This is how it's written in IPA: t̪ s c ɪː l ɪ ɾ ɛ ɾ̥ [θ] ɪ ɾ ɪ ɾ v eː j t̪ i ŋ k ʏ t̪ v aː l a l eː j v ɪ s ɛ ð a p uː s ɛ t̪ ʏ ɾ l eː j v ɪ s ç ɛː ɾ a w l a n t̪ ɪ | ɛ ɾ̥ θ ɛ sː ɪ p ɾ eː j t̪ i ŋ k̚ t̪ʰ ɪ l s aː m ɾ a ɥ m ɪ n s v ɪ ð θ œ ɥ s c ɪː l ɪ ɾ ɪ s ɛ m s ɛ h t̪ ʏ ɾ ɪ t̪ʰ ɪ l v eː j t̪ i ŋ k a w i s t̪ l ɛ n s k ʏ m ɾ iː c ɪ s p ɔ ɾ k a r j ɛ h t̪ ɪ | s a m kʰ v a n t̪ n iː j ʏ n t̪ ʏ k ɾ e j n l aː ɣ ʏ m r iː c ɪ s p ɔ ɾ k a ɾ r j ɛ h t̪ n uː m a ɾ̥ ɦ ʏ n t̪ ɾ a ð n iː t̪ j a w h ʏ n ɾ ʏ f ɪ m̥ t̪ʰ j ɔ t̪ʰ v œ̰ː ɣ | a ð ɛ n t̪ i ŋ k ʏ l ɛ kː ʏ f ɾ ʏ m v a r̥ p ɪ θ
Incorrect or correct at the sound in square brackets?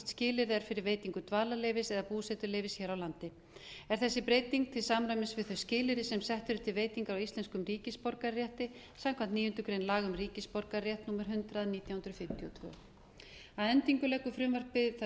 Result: incorrect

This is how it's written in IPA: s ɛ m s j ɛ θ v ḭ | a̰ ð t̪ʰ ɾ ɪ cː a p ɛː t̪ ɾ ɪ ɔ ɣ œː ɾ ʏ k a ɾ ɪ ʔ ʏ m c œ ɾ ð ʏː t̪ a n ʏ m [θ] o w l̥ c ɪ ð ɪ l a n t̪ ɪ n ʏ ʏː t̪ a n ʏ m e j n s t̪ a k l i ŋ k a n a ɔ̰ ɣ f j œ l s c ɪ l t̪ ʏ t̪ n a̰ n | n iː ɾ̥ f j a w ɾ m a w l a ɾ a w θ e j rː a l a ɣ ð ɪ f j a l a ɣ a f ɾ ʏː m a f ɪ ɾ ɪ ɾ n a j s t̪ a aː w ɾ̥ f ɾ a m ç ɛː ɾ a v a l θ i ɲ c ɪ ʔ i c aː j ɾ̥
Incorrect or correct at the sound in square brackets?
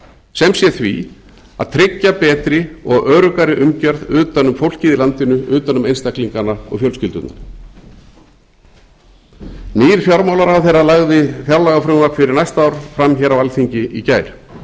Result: incorrect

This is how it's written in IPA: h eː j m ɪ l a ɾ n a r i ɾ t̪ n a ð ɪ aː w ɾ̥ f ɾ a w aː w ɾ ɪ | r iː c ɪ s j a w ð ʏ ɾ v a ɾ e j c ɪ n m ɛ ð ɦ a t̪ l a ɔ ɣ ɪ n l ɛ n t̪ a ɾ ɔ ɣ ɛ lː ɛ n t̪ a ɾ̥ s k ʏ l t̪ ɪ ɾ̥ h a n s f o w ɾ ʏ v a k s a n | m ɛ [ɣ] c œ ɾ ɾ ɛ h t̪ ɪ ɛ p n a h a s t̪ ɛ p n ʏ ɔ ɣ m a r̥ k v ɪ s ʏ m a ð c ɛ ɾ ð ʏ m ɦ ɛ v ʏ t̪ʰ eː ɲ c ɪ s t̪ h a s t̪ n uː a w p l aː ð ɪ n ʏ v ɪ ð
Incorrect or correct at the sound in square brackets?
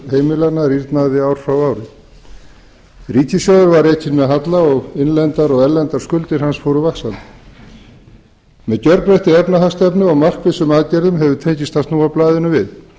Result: incorrect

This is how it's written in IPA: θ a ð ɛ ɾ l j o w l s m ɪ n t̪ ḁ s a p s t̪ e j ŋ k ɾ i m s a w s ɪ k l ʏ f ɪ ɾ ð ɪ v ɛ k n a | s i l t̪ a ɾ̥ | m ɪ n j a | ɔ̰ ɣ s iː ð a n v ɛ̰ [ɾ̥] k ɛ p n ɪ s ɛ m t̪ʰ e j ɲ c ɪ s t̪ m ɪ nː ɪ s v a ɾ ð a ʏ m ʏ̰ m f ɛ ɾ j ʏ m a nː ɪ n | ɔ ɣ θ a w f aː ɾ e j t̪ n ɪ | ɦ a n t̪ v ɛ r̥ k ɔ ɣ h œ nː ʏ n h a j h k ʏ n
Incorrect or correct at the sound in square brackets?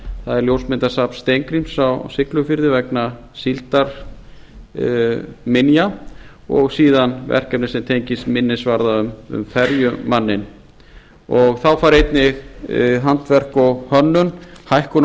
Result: incorrect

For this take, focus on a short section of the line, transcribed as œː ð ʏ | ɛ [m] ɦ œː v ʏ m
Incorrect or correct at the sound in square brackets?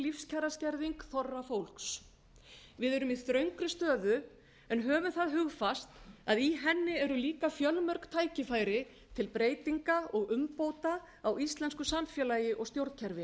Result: incorrect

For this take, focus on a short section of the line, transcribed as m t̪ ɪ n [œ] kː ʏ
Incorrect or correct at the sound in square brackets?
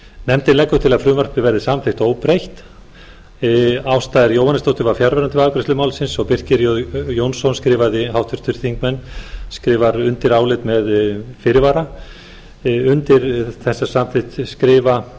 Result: incorrect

